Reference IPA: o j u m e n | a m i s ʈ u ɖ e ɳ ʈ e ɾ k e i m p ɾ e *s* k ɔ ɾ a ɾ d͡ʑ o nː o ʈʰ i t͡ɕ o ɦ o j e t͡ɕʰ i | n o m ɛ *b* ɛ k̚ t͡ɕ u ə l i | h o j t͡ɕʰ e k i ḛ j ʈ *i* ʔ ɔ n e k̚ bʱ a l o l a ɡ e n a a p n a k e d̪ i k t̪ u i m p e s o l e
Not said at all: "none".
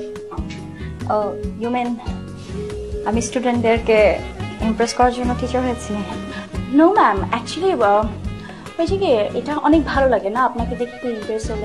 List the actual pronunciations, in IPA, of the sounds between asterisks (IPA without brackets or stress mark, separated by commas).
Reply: s, m, a